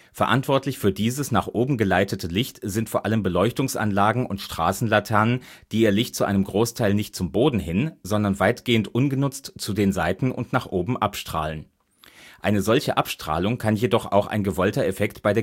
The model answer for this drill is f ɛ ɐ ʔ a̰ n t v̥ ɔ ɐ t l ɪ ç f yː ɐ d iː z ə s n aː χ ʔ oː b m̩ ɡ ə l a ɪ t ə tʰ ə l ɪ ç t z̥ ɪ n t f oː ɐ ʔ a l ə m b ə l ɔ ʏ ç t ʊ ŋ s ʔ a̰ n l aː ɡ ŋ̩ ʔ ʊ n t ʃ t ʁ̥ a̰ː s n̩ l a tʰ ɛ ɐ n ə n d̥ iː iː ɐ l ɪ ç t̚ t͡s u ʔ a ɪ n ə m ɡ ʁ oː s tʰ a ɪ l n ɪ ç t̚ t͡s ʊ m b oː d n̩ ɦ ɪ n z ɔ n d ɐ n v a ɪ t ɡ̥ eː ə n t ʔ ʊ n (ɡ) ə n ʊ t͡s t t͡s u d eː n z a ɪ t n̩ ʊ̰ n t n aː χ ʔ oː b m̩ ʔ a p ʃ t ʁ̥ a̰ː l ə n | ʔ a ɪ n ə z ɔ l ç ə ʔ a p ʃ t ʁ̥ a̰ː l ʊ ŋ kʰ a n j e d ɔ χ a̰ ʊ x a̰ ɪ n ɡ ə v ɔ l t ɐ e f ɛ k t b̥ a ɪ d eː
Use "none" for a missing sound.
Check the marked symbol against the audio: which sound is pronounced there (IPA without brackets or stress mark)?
ɡ